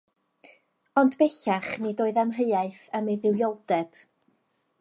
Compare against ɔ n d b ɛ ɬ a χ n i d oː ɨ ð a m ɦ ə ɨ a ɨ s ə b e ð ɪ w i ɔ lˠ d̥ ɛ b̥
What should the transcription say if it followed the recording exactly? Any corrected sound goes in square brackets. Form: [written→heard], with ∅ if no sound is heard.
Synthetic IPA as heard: ɔ n d b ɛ ɬ a χ n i d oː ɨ ð a m ɦ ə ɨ a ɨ [s→θ] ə [b→m] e ð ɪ w [i→j] ɔ lˠ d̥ ɛ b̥